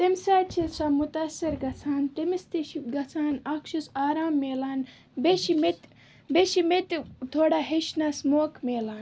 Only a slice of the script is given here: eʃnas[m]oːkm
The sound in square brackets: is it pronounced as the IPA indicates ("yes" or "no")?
yes